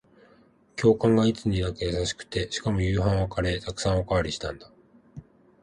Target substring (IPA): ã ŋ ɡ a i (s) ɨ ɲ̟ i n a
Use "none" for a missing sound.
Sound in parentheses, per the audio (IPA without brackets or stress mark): t͡s